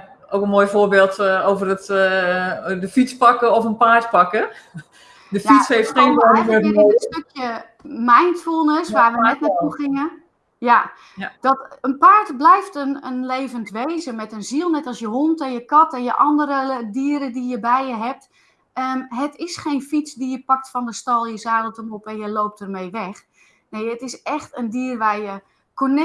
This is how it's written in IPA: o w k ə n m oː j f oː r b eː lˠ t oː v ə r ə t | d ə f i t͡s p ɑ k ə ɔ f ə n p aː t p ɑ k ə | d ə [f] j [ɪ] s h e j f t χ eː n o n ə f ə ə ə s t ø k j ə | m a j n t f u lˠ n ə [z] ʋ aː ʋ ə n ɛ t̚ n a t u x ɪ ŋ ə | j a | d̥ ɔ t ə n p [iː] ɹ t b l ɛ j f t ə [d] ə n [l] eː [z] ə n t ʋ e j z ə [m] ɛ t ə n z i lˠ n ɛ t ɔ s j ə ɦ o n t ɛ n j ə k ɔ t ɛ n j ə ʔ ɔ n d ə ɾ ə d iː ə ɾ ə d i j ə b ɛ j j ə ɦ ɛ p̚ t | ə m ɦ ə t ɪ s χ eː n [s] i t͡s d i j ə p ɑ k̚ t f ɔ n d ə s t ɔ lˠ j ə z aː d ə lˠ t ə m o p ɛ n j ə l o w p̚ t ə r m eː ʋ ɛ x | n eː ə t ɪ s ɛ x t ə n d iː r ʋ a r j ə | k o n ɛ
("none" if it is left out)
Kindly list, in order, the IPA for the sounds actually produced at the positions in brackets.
f, i, s, aː, n, l, v, m, f

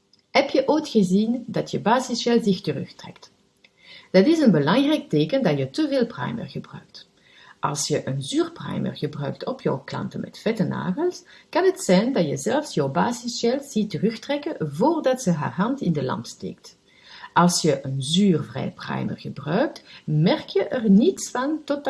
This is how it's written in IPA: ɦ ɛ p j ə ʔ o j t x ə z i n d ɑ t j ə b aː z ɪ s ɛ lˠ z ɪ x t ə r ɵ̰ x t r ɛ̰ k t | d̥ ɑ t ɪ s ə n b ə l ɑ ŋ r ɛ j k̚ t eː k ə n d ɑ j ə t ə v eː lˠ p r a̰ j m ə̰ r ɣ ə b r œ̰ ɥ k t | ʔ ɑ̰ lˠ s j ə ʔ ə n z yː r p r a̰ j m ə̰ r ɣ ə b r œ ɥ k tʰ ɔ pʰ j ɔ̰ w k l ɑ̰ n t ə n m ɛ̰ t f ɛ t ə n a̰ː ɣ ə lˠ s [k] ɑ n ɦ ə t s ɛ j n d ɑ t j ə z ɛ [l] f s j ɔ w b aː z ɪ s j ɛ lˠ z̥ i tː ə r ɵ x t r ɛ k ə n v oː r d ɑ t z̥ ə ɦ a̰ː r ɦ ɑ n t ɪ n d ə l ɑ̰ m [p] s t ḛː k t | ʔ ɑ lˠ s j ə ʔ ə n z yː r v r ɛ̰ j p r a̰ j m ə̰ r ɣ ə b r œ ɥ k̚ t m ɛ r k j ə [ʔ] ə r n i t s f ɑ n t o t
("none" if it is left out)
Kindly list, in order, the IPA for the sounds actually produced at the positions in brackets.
k, l, p, ʔ

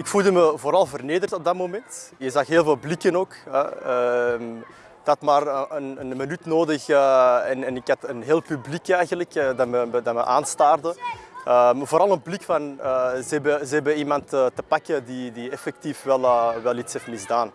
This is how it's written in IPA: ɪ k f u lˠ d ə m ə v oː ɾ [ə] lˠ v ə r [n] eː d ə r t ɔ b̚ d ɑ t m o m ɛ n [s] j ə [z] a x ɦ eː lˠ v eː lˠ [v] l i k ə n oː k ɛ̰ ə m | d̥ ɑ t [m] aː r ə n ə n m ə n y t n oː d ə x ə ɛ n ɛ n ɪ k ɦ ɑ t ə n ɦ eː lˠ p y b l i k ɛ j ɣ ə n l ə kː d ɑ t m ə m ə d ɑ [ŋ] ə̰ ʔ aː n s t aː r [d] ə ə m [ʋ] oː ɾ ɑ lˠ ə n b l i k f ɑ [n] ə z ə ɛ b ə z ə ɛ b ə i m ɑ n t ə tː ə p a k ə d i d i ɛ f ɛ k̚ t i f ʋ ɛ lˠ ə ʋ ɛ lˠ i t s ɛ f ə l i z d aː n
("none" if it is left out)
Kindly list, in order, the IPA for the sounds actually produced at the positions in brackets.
ɑ, n, t, z, b, m, m, d, v, n

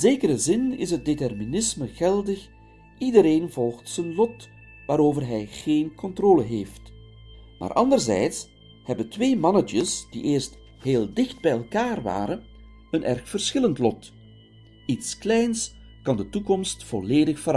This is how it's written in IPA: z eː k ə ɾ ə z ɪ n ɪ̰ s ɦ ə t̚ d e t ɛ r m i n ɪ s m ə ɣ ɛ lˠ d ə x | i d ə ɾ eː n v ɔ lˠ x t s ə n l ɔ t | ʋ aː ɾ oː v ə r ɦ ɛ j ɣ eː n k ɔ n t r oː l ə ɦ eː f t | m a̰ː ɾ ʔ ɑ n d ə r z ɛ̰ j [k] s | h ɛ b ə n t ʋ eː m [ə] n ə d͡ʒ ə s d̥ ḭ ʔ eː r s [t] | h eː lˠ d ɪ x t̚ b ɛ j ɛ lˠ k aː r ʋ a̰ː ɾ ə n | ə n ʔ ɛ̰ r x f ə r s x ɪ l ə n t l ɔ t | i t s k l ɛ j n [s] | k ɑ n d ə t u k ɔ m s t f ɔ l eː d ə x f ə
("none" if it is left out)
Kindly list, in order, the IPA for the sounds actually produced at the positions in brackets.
t, ɑ, t, s

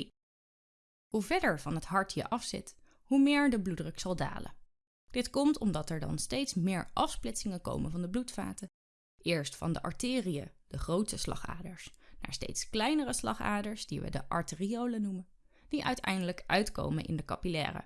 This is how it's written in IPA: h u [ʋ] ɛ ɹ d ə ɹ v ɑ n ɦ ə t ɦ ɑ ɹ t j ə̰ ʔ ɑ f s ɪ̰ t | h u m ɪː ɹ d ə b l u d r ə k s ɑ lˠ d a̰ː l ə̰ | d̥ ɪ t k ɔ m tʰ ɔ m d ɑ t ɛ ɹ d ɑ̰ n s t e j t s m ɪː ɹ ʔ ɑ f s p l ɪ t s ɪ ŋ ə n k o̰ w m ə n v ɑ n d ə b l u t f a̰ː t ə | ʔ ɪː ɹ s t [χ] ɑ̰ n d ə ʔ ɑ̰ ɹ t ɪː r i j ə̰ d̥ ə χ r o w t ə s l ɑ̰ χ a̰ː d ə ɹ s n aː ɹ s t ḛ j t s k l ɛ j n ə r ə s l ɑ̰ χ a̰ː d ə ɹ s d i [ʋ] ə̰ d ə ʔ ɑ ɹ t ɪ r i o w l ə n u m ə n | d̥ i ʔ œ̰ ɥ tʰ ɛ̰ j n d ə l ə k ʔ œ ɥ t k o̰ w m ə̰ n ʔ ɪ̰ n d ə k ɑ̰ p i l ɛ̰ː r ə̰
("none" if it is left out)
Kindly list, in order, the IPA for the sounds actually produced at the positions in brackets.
v, f, ʋ

